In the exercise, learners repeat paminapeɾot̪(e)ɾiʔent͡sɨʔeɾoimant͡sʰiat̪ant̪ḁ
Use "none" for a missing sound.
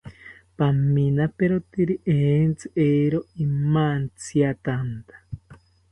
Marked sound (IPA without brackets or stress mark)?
i